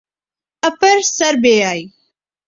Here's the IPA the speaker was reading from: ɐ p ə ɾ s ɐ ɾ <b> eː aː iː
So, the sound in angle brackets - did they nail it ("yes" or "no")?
yes